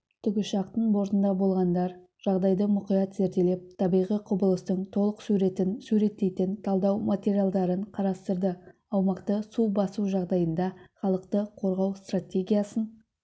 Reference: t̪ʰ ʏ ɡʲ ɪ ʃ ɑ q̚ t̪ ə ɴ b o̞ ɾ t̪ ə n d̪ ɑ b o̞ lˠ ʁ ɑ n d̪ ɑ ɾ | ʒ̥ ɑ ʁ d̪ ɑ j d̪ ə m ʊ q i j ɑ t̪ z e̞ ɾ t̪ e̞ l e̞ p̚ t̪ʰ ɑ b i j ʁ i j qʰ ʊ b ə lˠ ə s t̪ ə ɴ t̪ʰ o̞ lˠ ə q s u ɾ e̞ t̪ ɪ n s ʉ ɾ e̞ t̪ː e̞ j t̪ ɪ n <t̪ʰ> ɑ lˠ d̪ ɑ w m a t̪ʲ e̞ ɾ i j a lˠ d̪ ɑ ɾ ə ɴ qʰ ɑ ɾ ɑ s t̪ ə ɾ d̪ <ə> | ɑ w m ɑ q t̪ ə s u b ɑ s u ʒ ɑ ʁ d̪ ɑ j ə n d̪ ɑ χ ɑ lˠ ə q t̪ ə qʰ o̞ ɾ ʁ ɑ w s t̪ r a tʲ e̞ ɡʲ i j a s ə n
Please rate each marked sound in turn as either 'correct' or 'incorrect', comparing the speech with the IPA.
correct, correct

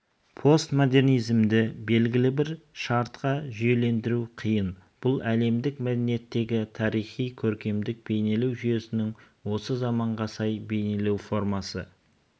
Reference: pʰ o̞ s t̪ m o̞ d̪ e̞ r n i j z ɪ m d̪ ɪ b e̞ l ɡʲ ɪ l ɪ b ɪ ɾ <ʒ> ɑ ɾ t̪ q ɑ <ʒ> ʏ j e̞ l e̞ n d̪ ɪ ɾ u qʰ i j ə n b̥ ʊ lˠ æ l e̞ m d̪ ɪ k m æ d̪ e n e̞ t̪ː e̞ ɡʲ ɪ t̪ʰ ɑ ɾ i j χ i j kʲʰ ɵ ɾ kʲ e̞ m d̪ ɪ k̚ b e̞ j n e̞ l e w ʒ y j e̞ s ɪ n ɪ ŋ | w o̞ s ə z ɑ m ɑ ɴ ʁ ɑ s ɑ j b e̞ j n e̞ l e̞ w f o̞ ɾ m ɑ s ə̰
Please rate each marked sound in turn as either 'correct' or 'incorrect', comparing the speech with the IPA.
incorrect: ʃ, correct

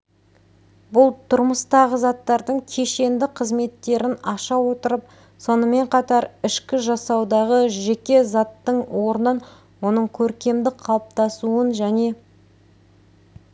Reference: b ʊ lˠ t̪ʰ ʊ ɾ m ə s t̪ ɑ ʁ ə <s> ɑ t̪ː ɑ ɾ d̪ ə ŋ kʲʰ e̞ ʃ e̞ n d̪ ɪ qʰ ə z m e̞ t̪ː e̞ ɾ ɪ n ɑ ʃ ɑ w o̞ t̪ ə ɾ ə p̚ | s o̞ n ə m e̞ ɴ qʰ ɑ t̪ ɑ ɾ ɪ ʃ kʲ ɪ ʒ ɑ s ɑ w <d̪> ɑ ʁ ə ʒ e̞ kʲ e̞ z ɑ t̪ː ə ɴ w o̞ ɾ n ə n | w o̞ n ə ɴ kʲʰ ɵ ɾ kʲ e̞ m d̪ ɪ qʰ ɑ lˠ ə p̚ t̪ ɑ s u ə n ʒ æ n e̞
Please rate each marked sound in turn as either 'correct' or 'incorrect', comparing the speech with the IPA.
incorrect: z, correct

